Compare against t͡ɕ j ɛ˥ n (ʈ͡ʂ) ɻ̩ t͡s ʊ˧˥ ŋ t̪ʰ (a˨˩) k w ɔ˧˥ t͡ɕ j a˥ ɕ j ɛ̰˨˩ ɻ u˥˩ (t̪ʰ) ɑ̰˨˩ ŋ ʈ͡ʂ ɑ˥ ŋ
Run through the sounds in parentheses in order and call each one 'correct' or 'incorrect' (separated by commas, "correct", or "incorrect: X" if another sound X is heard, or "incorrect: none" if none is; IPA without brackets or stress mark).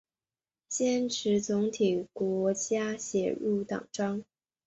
incorrect: ʈ͡ʂʰ, incorrect: i˨˩, incorrect: t̪